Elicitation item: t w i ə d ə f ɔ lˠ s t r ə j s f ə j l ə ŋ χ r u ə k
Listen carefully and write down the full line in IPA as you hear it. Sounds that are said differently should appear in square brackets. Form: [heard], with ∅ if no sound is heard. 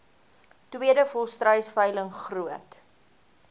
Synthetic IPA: t w i ə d ə f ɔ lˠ s t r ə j s f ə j l ə ŋ χ r u ə [t]